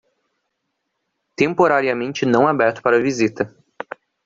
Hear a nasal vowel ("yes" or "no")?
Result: yes